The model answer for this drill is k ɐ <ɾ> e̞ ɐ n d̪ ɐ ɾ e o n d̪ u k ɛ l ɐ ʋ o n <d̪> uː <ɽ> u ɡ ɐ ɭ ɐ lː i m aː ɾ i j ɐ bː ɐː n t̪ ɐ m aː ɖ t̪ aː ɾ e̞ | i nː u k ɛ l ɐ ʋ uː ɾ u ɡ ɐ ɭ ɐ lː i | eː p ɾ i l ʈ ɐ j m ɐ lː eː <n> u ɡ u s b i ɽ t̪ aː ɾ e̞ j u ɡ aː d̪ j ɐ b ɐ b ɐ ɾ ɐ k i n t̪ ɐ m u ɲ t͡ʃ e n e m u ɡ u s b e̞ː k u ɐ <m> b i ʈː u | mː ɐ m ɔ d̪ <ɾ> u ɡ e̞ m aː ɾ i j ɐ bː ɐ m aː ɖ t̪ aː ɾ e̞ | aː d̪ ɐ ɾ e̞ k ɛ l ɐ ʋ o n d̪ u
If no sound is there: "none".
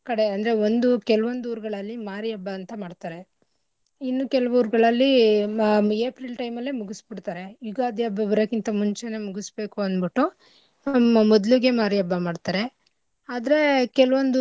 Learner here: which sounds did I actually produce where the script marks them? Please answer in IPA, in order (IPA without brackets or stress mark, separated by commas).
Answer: ɽ, d̪, ɾ, m, n, l